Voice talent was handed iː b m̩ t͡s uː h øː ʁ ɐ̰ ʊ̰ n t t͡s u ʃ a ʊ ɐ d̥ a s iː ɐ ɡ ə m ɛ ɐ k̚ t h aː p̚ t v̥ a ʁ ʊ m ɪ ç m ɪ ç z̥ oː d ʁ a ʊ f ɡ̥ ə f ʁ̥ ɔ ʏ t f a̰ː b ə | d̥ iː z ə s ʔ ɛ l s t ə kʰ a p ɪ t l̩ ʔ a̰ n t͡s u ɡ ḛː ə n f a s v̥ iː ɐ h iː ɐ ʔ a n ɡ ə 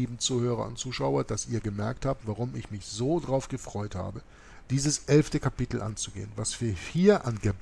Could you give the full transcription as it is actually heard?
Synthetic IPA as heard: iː b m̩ t͡s uː h øː ʁ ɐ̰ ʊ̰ n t t͡s uː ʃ a ʊ ɐ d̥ a s iː ɐ ɡ ə m ɛ ɐ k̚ t h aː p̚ t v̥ a ʁ ʊ m ɪ ç m ɪ ç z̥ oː d ʁ a ʊ f ɡ̥ ə f ʁ̥ ɔ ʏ t h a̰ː b ə | d̥ iː z ə s ʔ ɛ l f t ə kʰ a p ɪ t l̩ ʔ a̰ n t͡s u ɡ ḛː ə n v a s v̥ iː ɐ h iː ɐ ʔ a n ɡ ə